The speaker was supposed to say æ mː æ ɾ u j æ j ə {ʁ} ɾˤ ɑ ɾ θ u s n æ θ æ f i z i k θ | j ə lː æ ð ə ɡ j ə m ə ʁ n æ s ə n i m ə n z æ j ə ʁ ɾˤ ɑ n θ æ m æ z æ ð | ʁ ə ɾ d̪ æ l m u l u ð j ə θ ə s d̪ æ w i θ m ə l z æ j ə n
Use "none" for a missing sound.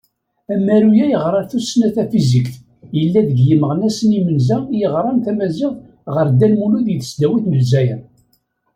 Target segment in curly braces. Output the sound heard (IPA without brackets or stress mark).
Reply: ʁ